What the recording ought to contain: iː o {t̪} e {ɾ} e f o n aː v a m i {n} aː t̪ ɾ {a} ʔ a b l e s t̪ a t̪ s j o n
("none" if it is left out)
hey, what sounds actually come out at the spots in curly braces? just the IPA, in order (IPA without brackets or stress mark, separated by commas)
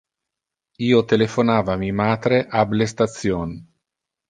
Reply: t̪, l, m, e